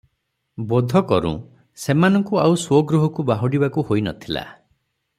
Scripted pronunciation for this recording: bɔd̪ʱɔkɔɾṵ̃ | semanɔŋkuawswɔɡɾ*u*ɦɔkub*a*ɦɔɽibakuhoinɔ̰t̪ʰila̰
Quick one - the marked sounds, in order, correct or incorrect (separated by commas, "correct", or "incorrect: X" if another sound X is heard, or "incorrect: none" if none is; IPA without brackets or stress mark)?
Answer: correct, correct